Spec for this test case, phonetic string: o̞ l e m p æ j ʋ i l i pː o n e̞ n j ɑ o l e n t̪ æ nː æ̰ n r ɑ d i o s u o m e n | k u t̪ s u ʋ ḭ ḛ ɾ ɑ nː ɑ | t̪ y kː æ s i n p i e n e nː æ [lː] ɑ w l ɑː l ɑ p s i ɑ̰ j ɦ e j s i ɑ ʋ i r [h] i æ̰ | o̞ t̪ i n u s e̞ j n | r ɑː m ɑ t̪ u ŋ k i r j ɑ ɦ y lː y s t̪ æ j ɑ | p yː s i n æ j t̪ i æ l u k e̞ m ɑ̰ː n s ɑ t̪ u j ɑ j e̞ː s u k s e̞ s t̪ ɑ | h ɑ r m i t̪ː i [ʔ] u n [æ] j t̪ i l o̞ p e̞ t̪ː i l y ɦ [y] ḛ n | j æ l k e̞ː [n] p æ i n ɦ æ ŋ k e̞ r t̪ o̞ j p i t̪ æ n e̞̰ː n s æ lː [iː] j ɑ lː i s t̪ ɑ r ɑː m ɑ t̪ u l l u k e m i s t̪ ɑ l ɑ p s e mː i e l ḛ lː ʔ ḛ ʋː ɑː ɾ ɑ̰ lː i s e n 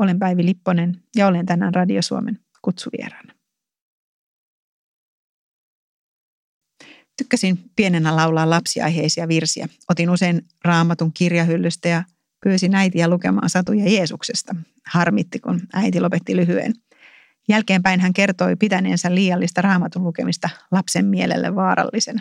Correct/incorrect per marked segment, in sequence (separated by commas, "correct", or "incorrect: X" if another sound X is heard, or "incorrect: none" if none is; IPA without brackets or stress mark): incorrect: l, incorrect: s, incorrect: k, correct, correct, incorrect: m, correct